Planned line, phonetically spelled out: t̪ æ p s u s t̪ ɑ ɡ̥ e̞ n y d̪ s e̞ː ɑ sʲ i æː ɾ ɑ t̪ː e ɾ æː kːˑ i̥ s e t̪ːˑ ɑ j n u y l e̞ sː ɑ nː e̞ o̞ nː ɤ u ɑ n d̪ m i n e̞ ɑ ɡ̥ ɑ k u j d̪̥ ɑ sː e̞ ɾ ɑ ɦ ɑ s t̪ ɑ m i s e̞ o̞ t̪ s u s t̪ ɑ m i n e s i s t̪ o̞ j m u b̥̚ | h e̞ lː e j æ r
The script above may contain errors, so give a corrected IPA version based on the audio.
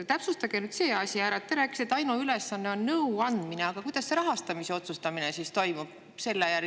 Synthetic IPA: t̪ æ p s u s t̪ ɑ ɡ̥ e̞ n y d̪ s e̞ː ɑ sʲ i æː ɾ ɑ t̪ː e ɾ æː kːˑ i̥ s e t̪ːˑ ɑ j n u y l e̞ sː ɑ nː e̞ o̞ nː ɤ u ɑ n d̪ m i n e̞ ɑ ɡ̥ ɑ k u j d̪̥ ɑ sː e̞ ɾ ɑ ɦ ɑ s t̪ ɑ m i s e̞ o̞ t̪ s u s t̪ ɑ m i n e s i s t̪ o̞ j m u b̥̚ | s e̞ lː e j æ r